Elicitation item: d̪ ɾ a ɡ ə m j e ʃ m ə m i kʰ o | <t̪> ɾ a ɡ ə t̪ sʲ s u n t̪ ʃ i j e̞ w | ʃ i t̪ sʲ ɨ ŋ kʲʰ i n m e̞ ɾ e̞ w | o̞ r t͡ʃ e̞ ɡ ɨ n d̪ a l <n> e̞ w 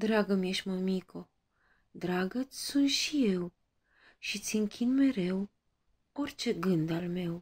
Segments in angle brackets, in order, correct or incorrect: incorrect: d̪, incorrect: m

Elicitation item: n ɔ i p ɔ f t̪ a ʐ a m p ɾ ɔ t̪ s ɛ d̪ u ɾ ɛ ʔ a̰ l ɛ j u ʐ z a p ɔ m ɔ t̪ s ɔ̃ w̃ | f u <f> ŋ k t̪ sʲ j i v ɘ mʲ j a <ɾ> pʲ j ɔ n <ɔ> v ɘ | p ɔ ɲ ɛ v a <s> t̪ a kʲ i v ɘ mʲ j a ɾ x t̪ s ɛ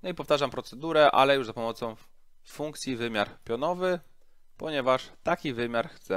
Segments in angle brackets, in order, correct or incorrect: incorrect: none, correct, correct, incorrect: ʂ

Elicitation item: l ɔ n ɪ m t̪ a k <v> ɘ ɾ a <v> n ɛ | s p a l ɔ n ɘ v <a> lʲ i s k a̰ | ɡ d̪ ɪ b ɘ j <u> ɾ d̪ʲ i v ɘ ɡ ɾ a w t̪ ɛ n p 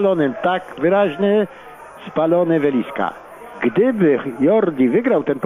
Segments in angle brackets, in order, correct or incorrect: correct, incorrect: ʑ, incorrect: ɛ, incorrect: ɔ

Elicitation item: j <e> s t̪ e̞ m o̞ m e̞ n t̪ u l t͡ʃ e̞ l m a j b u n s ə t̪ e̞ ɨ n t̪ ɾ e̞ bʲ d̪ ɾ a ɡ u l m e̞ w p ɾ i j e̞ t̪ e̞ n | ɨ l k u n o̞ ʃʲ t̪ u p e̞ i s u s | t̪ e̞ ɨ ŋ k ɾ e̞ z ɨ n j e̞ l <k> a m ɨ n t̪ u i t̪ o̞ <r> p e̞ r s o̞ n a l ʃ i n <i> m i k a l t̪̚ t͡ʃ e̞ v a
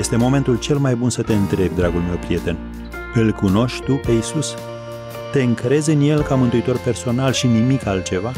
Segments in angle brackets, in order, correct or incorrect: correct, correct, correct, correct

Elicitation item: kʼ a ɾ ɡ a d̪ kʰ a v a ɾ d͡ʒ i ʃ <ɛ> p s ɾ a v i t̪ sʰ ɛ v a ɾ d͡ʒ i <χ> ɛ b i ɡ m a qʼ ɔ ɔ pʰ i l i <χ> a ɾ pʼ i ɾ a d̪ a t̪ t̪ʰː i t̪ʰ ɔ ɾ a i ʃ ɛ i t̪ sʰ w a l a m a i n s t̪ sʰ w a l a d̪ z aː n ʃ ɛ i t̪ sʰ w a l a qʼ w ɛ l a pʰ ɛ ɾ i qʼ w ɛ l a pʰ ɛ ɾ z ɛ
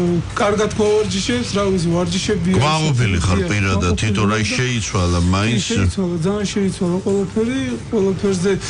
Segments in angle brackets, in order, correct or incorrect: correct, incorrect: ʃ, correct

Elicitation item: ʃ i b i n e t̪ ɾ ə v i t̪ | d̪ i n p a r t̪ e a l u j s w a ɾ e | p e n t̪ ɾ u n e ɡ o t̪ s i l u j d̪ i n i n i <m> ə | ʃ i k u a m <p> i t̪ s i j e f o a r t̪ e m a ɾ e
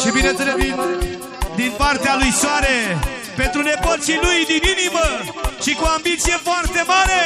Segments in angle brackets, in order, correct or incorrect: correct, incorrect: b

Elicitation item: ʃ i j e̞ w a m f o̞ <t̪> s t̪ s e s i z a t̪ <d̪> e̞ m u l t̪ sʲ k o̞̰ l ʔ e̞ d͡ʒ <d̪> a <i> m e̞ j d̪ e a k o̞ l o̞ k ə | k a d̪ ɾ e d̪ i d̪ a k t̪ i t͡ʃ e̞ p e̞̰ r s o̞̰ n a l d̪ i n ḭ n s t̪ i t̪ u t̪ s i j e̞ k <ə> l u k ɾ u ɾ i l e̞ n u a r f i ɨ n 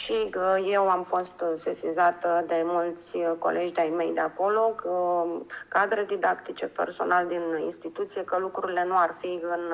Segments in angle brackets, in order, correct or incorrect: incorrect: none, correct, correct, incorrect: j, correct

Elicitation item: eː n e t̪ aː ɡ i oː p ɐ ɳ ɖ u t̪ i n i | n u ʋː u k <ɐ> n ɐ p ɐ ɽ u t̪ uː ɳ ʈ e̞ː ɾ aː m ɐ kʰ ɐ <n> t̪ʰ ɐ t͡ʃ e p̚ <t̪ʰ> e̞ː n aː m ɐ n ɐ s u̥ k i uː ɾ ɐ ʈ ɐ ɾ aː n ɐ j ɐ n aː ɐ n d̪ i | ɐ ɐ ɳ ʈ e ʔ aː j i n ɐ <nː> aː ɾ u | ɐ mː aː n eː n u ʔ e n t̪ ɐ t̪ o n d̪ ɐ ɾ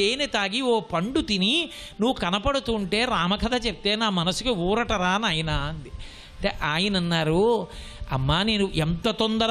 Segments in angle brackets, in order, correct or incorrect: correct, incorrect: none, incorrect: t̪, correct

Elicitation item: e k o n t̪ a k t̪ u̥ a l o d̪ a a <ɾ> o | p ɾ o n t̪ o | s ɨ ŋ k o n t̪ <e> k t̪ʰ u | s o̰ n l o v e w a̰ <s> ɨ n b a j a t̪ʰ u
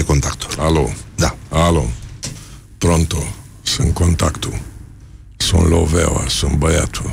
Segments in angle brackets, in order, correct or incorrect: incorrect: l, incorrect: a, correct

